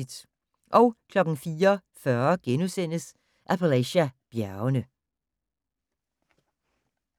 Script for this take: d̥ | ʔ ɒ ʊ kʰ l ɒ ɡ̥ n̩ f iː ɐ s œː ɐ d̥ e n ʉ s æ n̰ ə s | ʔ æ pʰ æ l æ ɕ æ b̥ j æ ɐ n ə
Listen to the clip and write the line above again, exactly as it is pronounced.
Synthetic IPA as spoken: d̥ | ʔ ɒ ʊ kʰ l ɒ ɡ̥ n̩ f iː ɐ f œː ɐ ɡ̥ e n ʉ s e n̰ ə s | ʔ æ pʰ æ l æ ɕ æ b̥ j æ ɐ n ə